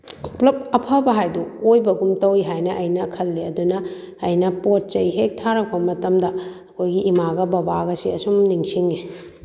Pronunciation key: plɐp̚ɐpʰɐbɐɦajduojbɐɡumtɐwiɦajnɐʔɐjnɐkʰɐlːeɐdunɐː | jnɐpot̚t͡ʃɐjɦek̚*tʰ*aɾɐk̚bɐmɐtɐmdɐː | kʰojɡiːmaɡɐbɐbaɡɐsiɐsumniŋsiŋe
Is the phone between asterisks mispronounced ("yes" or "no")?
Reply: no